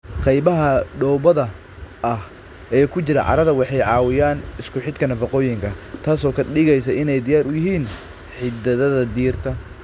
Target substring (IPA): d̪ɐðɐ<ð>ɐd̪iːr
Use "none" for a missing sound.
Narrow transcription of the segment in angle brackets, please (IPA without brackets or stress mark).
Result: ð